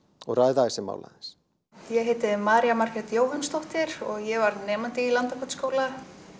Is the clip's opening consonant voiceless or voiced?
voiced